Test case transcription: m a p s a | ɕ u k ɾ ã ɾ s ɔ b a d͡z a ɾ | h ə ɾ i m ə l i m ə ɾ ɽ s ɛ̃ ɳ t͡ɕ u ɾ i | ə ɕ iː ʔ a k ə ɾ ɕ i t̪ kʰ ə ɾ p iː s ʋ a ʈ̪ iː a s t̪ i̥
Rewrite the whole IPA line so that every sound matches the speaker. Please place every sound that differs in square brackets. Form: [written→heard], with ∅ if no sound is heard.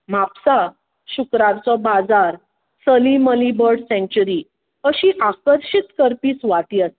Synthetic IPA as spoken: m a p s a | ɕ u k ɾ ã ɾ [s→t͡s] ɔ b a d͡z a ɾ | [h→s] ə [ɾ→l] i m ə l i [m→b] ə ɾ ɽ s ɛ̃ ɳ t͡ɕ u ɾ i | ə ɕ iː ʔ a k ə ɾ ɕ i t̪ [kʰ→k] ə ɾ p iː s ʋ a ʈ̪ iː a s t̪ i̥